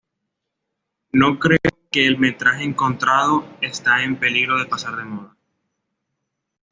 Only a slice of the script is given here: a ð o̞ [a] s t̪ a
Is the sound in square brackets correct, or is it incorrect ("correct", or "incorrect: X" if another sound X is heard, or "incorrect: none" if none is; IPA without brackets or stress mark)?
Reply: incorrect: e